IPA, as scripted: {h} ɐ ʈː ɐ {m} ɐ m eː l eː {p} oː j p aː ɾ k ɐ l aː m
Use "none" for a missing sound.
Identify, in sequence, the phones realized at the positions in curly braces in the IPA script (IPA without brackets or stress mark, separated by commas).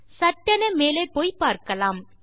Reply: s, n, p